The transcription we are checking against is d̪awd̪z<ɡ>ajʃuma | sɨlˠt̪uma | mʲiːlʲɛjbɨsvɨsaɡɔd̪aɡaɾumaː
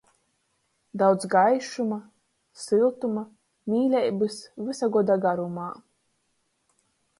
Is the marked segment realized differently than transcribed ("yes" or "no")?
no